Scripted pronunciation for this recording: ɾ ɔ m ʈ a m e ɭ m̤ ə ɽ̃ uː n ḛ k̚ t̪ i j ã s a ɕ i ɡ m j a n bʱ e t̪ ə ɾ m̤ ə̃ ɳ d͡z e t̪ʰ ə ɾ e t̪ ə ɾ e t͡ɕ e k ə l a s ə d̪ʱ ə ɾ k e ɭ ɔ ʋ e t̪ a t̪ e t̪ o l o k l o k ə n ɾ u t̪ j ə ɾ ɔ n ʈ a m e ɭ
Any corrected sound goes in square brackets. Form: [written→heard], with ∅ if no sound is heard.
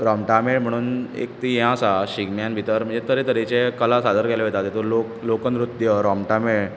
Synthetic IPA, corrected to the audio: ɾ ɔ m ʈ a m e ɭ m̤ ə ɽ̃ uː n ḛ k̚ t̪ i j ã s a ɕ i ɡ m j a n bʱ [e→i] t̪ ə ɾ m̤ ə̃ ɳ d͡z e [t̪ʰ→t̪] ə ɾ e t̪ ə ɾ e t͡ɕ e k ə l a s [ə→a] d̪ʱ ə ɾ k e [ɭ→l] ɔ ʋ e t̪ a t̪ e t̪ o l o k l o k ə n ɾ u t̪ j ə ɾ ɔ [n→m] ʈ a m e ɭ